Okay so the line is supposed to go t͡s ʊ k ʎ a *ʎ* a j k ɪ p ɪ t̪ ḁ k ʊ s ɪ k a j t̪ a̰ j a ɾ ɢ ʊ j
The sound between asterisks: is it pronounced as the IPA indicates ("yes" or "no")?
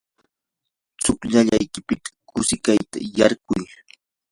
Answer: yes